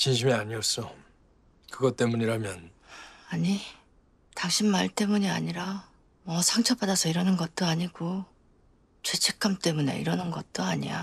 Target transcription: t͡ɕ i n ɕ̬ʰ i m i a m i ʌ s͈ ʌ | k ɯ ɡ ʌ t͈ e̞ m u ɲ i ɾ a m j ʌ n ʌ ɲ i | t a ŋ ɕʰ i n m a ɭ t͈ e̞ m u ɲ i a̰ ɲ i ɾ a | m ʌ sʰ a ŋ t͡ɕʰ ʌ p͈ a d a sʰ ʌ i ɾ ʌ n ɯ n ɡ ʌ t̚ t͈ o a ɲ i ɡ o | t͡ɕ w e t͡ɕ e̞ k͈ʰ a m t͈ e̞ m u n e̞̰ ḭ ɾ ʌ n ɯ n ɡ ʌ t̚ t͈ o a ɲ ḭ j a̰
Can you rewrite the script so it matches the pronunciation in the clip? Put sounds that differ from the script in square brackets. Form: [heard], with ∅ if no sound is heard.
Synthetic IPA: t͡ɕ i n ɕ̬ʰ i m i a [ɲ] i ʌ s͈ ʌ | k ɯ ɡ ʌ t͈ e̞ m u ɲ i ɾ a m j ʌ n [a] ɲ i | t a ŋ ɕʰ i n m a ɭ t͈ e̞ m u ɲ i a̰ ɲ i ɾ a | m ʌ sʰ a ŋ t͡ɕʰ ʌ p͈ a d a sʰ ʌ i ɾ ʌ n ɯ n ɡ ʌ t̚ t͈ o a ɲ i ɡ o | t͡ɕ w e [t͡ɕʰ] e̞ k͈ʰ a m t͈ e̞ m u n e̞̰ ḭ ɾ ʌ n ɯ n ɡ ʌ t̚ t͈ o a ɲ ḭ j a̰